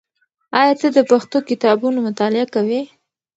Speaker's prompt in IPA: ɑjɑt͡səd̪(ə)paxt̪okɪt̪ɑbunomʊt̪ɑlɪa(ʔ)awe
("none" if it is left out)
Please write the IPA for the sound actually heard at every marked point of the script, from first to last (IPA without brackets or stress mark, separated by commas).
ə, k